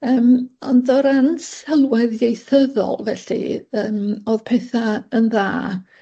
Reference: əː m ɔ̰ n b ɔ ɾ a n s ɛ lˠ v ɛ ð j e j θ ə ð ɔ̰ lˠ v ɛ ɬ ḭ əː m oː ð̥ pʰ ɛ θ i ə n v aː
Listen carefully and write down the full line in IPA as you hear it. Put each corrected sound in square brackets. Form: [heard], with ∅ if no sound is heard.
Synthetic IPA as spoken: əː m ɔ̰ n [d] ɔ ɾ a n s ɛ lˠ [w] ɛ ð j e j θ ə ð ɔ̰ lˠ v ɛ ɬ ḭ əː m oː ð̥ pʰ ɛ θ [a] ə n [ð] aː